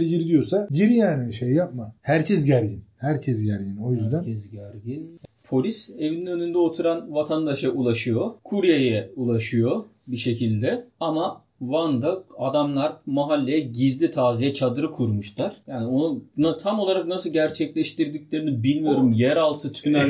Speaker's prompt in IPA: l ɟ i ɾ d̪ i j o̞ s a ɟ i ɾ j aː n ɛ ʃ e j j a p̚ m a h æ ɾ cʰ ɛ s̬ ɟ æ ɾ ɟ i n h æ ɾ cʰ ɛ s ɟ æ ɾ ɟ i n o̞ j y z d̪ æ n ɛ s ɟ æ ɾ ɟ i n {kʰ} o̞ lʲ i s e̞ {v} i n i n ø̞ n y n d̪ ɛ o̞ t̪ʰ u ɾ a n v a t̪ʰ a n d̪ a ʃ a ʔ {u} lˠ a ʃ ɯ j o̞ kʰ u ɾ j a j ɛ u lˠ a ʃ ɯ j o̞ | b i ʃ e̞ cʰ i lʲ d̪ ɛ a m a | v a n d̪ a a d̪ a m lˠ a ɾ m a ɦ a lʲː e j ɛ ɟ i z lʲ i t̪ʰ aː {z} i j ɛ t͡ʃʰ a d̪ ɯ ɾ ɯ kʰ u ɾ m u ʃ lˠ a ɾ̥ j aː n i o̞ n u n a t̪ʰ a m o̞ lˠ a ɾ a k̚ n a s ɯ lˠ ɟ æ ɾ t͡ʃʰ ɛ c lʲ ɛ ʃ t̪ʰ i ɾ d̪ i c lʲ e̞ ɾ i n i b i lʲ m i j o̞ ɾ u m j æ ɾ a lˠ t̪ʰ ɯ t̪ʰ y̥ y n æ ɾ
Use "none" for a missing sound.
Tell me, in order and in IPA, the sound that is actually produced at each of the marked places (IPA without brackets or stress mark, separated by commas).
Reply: pʰ, v, u, z